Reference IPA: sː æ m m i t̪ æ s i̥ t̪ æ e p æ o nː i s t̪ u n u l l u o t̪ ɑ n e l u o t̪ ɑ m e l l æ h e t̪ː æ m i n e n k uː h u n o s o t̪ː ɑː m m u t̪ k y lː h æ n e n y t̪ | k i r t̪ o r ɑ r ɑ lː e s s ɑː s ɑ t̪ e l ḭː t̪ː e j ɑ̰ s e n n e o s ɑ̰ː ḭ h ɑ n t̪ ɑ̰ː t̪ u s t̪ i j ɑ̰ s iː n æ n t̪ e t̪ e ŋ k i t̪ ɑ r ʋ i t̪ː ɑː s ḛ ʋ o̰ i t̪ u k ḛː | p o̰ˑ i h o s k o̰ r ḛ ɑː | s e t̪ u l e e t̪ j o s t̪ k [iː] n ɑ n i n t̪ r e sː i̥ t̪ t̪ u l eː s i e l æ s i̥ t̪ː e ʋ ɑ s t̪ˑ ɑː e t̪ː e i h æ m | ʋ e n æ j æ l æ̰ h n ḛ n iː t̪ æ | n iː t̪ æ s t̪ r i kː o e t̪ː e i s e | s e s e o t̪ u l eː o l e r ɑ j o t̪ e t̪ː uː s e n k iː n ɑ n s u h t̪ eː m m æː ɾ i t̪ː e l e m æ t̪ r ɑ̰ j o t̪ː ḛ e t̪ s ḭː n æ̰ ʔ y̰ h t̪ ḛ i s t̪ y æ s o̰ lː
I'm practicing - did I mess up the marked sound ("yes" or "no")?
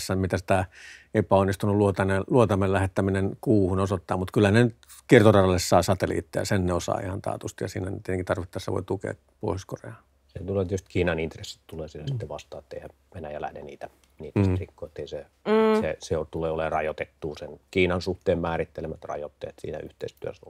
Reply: no